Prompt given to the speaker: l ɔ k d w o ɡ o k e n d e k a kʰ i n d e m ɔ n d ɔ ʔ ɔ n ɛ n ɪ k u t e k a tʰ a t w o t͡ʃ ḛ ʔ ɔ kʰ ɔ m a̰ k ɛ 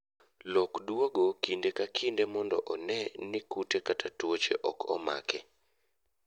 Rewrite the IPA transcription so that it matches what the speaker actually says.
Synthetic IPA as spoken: l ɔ k d w o ɡ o k i n d e k a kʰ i n d e m ɔ n d ɔ ʔ ɔ n ɛ n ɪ k u t e k a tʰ a t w o t͡ʃ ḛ ʔ ɔ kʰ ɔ m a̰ k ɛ